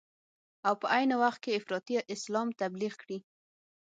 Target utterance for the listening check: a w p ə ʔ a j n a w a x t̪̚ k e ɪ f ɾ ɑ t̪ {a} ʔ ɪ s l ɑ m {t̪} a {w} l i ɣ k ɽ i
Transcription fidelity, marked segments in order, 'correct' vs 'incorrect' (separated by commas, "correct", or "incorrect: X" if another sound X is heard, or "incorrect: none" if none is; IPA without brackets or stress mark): incorrect: i, correct, incorrect: b